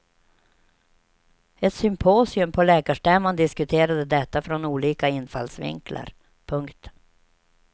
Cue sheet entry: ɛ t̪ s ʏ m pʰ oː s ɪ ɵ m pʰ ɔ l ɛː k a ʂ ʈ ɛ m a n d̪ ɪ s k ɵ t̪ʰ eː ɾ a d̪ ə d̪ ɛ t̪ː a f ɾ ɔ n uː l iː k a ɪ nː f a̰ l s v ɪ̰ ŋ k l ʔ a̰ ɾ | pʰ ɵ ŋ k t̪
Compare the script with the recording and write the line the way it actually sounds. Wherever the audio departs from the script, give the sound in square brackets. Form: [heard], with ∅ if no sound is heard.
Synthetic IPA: ɛ t̪ s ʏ m pʰ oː s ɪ ɵ m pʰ ɔ l ɛː k a ʂ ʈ ɛ m a n d̪ ɪ s k ɵ t̪ʰ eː ɾ a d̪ ə d̪ ɛ t̪ː a f ɾ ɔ n uː l iː k a ɪ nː f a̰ l s v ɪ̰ ŋ k l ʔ a̰ ɾ | pʰ ɵ ŋ k t̪